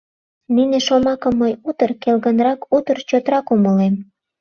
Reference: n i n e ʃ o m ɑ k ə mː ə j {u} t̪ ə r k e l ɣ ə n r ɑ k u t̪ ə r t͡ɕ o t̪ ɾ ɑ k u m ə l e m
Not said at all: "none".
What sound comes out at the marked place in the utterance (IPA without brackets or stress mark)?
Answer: u